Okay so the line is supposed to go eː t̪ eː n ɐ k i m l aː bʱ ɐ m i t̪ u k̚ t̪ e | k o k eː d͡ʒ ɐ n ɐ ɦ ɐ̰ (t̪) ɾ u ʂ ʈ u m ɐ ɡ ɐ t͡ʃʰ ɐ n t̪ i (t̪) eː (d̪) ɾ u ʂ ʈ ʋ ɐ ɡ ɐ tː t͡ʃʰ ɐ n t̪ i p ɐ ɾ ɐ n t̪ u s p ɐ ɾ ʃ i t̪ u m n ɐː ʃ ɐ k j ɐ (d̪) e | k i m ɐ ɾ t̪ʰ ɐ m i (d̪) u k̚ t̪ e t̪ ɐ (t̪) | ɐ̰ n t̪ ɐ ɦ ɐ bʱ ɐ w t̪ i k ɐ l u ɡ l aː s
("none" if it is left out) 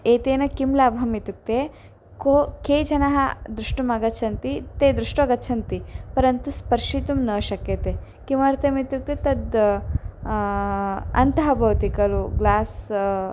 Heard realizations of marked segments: d̪, t̪, d̪, t̪, t̪, d̪

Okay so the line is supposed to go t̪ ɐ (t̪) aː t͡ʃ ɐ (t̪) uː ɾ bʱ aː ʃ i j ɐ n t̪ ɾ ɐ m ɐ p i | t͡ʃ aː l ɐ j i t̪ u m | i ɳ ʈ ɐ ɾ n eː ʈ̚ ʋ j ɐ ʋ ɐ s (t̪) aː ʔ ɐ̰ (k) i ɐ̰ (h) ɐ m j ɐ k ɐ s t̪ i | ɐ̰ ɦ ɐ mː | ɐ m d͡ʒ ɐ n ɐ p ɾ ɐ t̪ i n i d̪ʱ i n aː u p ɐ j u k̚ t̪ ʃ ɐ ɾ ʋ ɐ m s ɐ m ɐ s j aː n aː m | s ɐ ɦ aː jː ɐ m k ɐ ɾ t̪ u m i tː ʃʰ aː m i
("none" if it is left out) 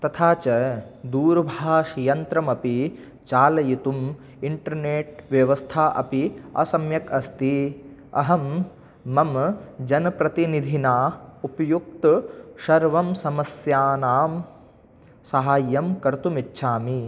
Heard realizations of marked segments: t̪ʰ, d̪, t̪ʰ, p, s

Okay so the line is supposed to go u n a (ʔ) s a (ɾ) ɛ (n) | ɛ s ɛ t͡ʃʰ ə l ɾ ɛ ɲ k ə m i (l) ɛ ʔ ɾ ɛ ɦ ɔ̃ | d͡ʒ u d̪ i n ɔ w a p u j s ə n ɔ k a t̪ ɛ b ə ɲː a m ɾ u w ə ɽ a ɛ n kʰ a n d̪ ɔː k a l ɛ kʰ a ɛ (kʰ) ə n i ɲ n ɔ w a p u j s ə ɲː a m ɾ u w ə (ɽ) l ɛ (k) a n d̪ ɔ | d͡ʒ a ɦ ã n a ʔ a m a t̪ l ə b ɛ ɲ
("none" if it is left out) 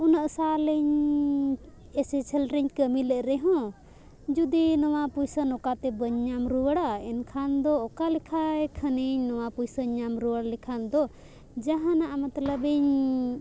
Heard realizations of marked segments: ʔ, l, ɲ, l, kʰ, ɽ, kʰ

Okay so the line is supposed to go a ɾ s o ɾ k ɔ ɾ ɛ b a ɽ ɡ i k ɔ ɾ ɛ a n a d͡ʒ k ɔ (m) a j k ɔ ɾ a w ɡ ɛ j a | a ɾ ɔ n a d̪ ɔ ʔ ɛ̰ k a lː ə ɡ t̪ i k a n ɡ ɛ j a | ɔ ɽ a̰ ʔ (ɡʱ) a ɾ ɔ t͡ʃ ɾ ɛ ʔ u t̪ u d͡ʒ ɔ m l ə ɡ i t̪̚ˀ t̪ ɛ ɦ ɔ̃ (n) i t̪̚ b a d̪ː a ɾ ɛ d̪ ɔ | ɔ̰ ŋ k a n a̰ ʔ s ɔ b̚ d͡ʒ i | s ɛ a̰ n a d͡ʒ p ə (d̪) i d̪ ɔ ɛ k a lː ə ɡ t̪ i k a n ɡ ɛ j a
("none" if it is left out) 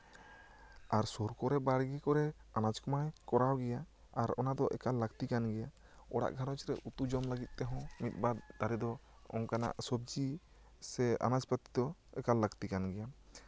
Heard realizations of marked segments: m, ɡʱ, m, t̪

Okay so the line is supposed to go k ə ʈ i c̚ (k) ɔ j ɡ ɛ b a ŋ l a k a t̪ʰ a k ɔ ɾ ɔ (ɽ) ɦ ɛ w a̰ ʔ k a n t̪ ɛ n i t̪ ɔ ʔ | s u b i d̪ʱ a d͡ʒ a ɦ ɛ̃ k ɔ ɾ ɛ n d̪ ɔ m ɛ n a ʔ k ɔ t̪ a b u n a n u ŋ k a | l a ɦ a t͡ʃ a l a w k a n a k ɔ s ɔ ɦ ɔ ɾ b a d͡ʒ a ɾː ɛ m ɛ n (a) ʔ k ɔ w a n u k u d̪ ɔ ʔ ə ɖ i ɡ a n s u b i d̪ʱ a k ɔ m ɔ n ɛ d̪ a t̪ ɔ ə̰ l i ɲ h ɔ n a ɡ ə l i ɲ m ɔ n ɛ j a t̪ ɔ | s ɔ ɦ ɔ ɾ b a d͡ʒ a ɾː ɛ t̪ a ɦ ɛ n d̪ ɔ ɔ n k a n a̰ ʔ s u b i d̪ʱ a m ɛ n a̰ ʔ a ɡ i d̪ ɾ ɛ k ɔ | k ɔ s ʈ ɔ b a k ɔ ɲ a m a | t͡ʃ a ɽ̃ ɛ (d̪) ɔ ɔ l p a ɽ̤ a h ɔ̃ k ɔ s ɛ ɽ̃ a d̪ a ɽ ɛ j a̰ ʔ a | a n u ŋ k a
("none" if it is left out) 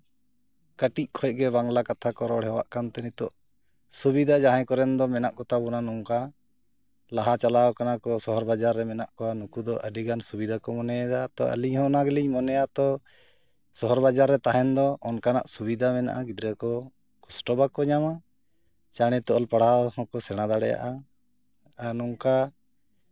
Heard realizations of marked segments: kʰ, ɽ, a, t̪

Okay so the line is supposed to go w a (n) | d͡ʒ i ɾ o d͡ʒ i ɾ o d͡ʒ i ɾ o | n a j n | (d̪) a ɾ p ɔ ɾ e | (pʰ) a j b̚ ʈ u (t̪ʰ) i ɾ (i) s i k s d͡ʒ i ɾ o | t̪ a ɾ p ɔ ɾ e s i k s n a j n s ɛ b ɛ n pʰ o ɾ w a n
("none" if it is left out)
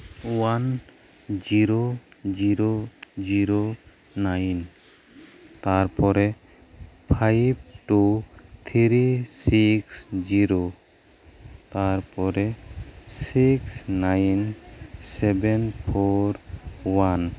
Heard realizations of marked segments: n, t̪, pʰ, t̪ʰ, i

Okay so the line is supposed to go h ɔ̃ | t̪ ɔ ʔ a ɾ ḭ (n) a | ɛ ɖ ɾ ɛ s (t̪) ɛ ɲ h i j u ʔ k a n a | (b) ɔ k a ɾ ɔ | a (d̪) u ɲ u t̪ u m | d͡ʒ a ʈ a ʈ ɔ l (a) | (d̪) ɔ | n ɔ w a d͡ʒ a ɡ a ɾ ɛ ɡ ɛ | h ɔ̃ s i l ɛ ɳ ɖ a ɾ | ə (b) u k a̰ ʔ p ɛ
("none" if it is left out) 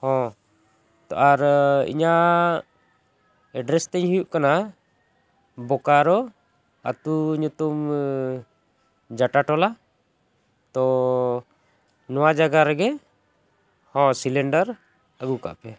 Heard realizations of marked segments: ɲ, t̪, b, t̪, a, t̪, ɡ

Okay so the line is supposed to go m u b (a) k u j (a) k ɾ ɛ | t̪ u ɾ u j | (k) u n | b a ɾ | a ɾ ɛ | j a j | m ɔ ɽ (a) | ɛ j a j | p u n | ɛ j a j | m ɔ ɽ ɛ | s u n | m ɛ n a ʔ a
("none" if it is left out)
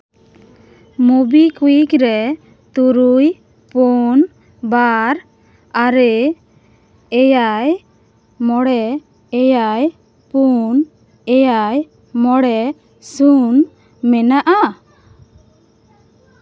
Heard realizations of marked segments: i, i, p, ɛ

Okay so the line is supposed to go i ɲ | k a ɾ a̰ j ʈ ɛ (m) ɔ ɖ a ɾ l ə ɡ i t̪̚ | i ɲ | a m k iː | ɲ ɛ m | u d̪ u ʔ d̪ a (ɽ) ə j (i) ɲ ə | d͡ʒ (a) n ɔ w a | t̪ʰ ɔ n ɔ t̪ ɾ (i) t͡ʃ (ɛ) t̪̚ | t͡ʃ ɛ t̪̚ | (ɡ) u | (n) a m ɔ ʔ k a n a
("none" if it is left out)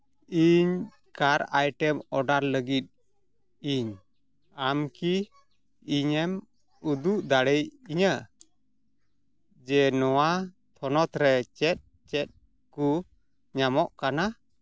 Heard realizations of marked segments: m, ɽ, i, ɛ, ɛ, ɛ, k, ɲ

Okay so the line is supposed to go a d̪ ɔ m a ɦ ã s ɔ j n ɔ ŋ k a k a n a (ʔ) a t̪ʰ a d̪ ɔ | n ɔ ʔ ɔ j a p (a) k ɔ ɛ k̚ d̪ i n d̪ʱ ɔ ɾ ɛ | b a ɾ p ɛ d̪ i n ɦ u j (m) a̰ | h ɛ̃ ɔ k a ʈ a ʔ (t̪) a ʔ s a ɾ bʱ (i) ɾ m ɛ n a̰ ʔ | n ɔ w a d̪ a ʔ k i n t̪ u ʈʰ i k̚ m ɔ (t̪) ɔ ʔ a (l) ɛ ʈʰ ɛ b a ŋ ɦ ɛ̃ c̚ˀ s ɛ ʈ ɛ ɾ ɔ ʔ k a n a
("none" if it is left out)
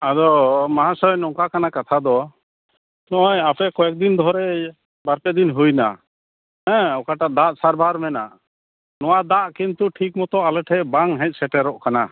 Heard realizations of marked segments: k, ɛ, n, d̪, a, t̪, l

